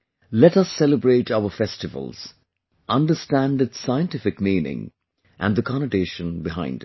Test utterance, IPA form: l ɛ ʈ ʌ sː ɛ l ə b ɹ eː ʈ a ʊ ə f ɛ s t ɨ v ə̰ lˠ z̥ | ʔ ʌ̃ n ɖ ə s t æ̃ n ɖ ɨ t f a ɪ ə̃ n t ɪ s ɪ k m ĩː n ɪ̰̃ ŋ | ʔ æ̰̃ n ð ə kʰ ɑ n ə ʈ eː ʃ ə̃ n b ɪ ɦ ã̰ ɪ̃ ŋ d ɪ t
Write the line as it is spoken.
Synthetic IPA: l ɛ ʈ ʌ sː ɛ l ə b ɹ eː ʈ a ʊ ə f ɛ s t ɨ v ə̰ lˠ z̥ | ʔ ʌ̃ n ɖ ə s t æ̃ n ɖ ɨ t s a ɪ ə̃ n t ɪ f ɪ k m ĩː n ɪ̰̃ ŋ | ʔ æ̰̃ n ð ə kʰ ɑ n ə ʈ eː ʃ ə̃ n b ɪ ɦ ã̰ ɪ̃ n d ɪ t